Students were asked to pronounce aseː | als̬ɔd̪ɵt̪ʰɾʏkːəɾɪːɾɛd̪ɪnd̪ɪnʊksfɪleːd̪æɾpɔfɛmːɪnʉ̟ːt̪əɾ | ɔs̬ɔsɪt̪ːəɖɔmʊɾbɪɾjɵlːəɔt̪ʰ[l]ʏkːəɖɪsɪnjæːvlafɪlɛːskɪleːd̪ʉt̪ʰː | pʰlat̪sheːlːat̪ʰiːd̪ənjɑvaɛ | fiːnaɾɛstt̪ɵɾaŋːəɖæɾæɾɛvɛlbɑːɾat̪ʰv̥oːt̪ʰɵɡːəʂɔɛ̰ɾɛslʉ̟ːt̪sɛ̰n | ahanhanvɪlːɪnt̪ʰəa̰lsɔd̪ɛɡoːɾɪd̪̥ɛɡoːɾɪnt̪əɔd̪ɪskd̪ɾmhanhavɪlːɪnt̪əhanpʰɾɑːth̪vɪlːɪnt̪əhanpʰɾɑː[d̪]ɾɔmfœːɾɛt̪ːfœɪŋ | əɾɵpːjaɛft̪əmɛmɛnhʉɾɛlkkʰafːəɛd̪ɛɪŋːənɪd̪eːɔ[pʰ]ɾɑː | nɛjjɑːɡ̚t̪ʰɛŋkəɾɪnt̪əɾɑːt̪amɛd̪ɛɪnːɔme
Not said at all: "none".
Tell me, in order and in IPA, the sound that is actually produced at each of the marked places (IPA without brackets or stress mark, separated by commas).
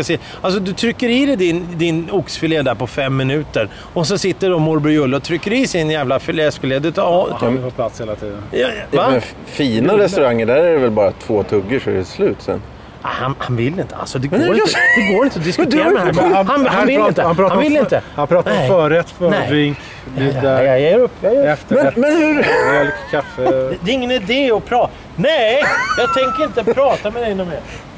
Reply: ɾ, t̪, pʰ